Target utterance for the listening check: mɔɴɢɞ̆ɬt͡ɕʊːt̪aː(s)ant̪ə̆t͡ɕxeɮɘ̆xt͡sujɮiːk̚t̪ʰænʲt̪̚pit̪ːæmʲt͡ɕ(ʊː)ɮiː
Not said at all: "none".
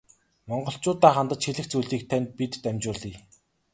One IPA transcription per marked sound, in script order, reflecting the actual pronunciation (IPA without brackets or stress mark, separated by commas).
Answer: χ, ʊː